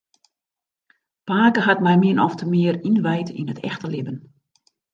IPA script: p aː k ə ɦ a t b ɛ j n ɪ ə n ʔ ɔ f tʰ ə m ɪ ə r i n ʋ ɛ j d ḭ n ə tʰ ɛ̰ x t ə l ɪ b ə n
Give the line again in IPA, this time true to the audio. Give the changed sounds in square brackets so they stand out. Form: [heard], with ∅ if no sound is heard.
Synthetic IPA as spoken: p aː k ə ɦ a t [m] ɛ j [m] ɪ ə n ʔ ɔ f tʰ ə m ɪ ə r i n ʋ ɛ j [t] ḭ n ə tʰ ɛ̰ x t ə l ɪ b ə n